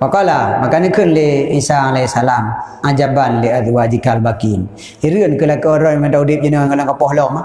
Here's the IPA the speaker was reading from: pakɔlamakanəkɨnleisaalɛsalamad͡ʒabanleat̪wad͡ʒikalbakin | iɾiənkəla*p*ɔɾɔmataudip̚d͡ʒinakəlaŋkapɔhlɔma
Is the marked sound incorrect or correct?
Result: incorrect: k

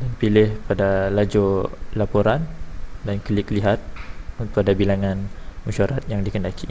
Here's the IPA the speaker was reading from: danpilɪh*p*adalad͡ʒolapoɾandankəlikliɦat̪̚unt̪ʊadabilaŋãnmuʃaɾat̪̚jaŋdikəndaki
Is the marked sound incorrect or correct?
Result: correct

